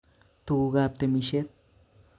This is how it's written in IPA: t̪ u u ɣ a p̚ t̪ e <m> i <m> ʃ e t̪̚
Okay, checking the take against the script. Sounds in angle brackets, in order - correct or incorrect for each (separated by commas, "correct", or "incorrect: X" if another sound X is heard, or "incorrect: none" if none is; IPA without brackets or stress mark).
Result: correct, incorrect: none